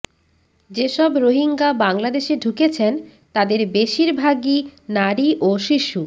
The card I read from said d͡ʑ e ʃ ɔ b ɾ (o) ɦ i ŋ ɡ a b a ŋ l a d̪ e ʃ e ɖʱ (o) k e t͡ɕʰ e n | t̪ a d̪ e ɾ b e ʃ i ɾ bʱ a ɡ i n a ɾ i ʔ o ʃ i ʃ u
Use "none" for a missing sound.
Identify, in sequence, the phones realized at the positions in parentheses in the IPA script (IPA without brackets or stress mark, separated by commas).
o, u